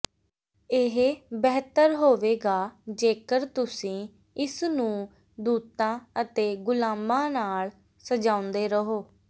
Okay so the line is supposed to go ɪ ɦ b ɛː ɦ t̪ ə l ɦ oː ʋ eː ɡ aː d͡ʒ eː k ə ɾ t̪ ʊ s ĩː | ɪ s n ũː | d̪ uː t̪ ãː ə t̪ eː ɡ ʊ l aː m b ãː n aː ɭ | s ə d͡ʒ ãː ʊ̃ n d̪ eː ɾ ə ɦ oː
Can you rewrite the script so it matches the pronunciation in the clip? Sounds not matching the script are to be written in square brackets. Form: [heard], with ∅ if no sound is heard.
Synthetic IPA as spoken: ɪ ɦ b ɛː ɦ t̪ ə [ɾ] ɦ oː ʋ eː ɡ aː d͡ʒ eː k ə ɾ t̪ ʊ s ĩː | ɪ s n ũː | d̪ uː t̪ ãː ə t̪ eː ɡ ʊ l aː m b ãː n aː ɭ | s ə d͡ʒ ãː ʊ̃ n d̪ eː ɾ ə ɦ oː